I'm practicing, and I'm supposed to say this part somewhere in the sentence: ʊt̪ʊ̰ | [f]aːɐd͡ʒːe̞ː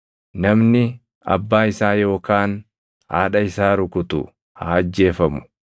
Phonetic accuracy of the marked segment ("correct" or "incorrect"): incorrect